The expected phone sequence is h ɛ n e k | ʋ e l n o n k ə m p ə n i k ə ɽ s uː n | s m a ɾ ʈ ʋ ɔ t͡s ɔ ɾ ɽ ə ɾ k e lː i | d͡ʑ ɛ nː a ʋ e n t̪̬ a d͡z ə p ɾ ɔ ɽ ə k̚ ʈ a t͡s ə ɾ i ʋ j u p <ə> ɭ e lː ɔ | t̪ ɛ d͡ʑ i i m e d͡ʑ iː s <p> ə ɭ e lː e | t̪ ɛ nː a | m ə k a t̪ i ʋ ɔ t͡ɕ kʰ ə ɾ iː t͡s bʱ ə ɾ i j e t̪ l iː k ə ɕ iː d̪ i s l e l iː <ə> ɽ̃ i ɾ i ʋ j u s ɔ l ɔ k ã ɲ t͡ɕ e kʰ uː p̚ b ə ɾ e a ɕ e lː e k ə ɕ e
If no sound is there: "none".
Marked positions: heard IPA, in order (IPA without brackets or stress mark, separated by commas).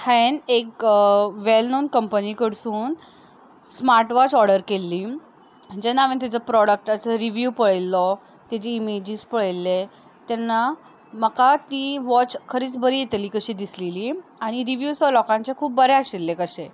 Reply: ə, p, a